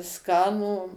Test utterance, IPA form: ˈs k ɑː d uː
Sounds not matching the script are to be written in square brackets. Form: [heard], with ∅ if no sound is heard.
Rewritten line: ˈs k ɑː [n] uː